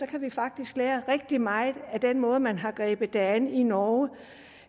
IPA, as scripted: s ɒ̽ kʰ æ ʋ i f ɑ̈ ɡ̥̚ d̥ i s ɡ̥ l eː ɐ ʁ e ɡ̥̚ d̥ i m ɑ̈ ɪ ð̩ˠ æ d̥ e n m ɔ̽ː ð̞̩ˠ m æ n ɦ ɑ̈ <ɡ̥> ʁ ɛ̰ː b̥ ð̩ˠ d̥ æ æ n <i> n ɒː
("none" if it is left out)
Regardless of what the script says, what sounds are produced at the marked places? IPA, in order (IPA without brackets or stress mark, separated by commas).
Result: ɡ̥, i